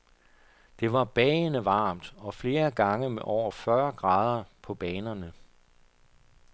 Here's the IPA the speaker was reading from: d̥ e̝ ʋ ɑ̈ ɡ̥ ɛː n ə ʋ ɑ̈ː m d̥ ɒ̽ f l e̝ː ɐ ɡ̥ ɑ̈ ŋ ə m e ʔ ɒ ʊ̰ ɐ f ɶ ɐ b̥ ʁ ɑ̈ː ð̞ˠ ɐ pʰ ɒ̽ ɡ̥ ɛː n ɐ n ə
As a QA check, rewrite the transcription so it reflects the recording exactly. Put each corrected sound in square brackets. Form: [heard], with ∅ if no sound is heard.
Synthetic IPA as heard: d̥ e̝ ʋ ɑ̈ [b̥] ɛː n ə ʋ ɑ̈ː m d̥ ɒ̽ f l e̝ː ɐ ɡ̥ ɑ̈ ŋ ə m e ʔ ɒ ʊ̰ ɐ f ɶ ɐ [ɡ̥] ʁ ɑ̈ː ð̞ˠ ɐ pʰ ɒ̽ [b̥] ɛː n ɐ n ə